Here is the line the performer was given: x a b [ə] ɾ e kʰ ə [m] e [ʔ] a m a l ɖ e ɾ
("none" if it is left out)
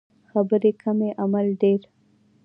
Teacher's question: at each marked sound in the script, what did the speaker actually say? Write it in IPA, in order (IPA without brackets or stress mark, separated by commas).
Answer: ə, m, ʔ